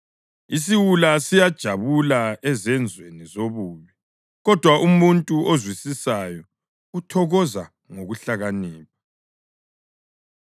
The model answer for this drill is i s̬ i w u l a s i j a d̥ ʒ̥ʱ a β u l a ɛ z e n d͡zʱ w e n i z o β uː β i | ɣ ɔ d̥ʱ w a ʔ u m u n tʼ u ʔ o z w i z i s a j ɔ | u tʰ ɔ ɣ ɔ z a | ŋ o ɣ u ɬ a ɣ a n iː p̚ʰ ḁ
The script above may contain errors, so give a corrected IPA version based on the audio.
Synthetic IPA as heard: i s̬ i w u l a s i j a d̥ ʒ̥ʱ a β u l a ɛ z ɛ n d͡zʱ w e n i z o β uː β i | ɣ ɔ d̥ʱ w a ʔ u m u n tʼ u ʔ o z w i s i s a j ɔ | u tʰ ɔ ɣ ɔ z a | ŋ o ɣ u ɬ a ɣ a n iː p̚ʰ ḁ